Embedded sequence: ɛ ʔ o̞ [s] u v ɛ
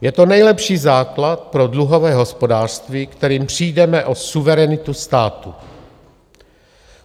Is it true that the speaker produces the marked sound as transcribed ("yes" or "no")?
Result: yes